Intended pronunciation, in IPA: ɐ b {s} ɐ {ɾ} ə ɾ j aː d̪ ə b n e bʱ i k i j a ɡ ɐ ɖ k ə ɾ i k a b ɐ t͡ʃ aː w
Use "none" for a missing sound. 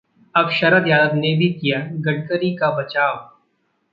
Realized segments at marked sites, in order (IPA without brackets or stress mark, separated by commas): ʃ, ɾ